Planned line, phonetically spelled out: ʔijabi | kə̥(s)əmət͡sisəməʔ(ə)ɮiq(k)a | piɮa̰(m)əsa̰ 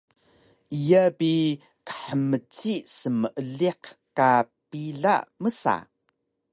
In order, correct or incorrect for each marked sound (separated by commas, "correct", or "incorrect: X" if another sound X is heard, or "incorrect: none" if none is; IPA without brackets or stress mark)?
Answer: incorrect: ħ, correct, correct, correct